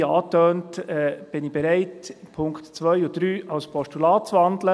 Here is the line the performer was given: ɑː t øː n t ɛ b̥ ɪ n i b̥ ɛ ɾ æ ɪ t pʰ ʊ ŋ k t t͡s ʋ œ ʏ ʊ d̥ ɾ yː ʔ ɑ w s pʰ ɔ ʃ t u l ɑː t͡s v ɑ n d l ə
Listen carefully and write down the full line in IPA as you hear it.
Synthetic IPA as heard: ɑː t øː n t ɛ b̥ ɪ n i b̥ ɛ ɾ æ ɪ t pʰ ʊ ŋ k t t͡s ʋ œ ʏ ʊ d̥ ɾ yː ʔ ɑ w s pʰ ɔ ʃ t u l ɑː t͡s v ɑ n d l ə